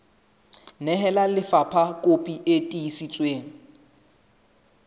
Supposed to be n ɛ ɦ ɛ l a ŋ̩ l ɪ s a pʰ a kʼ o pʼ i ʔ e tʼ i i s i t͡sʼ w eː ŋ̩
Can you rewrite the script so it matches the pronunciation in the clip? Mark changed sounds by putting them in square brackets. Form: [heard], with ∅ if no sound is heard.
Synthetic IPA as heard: n ɛ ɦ ɛ l a [∅] l ɪ [f] a pʰ a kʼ o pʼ i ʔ e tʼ i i s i t͡sʼ w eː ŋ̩